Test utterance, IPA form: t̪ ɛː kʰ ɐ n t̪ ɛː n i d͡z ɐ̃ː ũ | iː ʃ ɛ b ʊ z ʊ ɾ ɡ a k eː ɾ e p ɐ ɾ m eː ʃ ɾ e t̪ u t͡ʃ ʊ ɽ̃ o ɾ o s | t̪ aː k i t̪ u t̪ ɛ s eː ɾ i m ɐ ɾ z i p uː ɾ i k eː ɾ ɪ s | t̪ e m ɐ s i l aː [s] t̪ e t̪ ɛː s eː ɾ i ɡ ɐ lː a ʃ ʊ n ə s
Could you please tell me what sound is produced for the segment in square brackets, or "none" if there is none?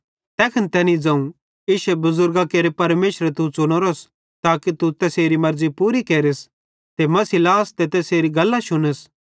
s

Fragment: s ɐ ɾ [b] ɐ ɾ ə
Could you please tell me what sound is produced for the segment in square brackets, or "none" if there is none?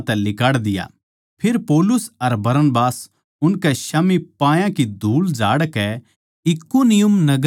b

